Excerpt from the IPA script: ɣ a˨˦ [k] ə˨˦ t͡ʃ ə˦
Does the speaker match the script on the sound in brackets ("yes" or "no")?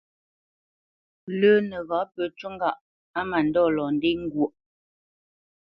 no